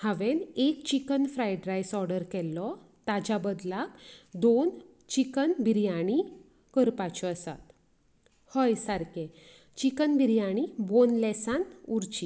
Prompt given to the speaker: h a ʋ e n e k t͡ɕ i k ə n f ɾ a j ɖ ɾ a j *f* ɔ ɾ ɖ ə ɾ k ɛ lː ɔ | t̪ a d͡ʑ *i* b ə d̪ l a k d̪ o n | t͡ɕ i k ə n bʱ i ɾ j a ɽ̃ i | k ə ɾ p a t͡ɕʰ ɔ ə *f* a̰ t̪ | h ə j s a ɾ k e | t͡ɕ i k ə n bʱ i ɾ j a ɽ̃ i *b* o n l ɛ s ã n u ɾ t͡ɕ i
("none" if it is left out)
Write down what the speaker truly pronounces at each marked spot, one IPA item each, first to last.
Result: s, a, s, b

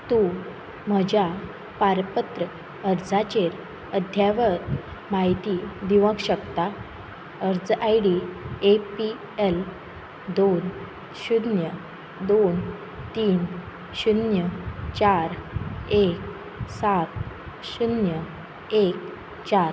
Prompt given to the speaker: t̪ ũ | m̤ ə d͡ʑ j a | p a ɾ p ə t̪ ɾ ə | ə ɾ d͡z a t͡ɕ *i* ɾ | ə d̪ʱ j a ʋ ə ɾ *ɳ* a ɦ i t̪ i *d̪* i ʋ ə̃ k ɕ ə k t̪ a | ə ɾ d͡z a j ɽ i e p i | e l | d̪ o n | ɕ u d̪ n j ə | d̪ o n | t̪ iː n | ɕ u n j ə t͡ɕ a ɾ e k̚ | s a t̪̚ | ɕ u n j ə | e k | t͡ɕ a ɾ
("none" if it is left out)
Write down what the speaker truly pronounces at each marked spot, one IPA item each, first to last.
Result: e, m, d̪

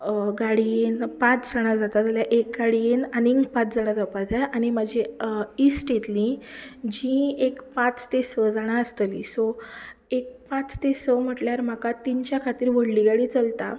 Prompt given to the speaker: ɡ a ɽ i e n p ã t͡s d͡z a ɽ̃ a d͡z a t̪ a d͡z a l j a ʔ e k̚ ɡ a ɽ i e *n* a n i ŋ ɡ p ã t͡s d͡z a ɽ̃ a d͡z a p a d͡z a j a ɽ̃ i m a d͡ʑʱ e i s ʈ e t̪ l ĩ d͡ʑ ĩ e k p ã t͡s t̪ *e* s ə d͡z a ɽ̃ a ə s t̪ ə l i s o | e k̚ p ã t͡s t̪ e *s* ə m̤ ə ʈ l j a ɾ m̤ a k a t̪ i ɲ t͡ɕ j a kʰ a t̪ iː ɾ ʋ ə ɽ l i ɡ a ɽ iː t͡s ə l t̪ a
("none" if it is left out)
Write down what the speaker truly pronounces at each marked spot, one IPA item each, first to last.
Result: n, e, s

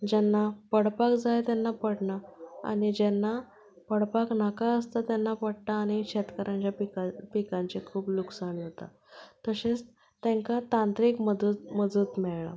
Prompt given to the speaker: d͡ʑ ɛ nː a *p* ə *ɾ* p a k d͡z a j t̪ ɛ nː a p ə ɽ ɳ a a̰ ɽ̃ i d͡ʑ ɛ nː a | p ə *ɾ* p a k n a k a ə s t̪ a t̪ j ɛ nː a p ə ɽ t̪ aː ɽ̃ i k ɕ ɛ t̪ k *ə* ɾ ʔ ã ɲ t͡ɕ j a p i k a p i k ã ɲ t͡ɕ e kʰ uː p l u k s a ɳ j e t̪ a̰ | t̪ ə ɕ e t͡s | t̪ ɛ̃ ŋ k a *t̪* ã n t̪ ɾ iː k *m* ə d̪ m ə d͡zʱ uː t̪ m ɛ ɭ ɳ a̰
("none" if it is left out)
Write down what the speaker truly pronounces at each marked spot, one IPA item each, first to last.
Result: p, ɽ, ɽ, ə, t̪, m

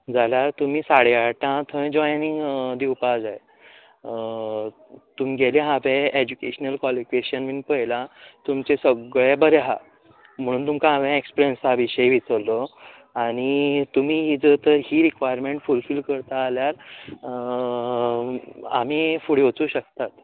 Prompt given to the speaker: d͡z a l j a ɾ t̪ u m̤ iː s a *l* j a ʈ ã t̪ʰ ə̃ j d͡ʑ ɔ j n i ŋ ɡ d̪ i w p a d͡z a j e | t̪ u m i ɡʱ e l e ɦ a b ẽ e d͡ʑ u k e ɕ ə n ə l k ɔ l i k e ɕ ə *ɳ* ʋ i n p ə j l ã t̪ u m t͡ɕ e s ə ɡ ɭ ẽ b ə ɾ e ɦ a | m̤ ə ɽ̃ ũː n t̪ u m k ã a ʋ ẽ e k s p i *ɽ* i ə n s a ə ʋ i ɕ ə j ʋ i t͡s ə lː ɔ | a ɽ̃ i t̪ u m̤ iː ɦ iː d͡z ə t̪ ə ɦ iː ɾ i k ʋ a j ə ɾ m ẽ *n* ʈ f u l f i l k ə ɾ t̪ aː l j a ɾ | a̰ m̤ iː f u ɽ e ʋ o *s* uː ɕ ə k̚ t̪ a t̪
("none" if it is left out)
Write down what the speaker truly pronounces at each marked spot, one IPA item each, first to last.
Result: ɽ, n, ɾ, ɳ, t͡s

